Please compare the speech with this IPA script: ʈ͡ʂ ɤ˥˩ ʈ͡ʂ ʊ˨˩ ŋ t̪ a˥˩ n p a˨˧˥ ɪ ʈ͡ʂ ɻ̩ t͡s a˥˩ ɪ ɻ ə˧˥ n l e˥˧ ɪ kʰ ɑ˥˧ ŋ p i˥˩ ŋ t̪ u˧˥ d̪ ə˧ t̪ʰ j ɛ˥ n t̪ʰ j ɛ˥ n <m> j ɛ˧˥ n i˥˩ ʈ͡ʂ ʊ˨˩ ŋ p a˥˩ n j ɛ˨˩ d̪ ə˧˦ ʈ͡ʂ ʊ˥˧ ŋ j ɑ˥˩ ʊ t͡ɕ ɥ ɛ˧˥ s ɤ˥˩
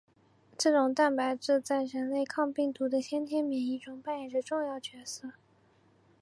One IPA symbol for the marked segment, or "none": m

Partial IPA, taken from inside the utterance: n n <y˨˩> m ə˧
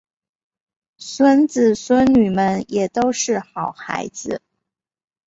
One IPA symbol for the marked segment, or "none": y˨˩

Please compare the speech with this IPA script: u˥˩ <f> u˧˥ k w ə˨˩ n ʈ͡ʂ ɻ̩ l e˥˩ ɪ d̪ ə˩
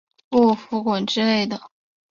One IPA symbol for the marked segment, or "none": f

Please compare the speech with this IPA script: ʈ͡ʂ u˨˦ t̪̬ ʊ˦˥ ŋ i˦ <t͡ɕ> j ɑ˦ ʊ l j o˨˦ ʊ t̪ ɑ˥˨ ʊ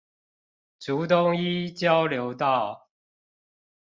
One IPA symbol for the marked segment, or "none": t͡ɕ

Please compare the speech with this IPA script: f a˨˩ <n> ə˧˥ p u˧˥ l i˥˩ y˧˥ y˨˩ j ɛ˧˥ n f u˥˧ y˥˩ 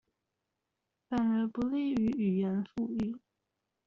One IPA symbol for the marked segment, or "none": n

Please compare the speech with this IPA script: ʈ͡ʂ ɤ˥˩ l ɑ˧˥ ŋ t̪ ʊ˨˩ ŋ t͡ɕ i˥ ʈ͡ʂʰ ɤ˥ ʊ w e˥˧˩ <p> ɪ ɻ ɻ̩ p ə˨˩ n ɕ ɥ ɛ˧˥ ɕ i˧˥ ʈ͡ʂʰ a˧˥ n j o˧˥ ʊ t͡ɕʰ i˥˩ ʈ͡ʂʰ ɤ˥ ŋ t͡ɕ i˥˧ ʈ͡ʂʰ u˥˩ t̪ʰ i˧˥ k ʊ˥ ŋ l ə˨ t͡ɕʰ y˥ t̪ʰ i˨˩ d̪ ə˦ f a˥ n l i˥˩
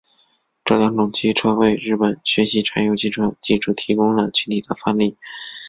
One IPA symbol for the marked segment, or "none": none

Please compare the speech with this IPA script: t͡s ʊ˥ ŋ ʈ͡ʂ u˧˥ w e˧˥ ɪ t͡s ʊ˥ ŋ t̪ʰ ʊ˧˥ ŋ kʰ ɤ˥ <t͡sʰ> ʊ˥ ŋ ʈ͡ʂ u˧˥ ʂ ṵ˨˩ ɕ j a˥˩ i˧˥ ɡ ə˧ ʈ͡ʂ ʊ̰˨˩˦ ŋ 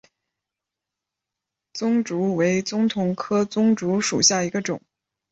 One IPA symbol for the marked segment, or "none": t͡s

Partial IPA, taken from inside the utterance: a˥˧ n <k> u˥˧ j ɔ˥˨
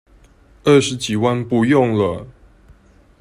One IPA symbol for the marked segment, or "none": p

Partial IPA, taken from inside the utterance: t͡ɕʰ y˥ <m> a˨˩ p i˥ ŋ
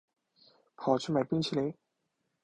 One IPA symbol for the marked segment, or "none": m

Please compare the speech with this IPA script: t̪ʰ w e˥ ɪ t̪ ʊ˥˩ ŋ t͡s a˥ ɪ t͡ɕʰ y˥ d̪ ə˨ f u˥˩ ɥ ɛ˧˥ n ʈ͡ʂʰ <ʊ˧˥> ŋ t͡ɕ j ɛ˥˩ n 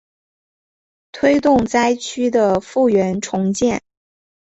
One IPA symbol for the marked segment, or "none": ʊ˧˥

